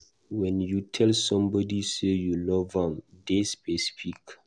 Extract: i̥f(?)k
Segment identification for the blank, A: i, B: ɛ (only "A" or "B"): A